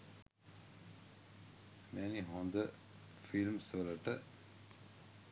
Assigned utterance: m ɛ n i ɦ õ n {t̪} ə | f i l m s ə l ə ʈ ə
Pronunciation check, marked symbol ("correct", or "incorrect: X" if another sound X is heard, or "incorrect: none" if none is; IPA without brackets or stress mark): incorrect: d̪